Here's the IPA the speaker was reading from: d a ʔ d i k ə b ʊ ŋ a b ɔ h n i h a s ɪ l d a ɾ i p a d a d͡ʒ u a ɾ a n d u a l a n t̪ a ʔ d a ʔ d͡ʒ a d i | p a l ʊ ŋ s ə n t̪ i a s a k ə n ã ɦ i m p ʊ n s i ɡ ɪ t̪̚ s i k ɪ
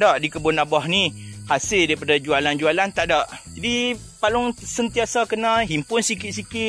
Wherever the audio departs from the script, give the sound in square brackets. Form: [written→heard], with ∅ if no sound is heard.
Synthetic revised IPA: d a ʔ d i k ə b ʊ [ŋ→n] a b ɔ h n i h a s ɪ l d a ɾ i p a d a d͡ʒ u a [ɾ→l] a n [d→d͡ʒ] u a l a n t̪ a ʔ d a ʔ d͡ʒ a d i | p a l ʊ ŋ s ə n t̪ i a s a k ə n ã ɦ i m p ʊ n s i [ɡ→k] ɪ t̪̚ s i k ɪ